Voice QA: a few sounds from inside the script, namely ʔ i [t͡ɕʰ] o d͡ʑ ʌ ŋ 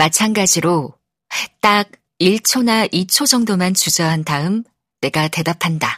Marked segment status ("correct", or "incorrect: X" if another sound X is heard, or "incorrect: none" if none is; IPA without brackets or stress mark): correct